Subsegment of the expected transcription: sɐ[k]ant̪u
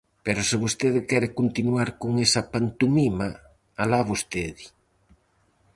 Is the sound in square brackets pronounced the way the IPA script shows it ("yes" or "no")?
no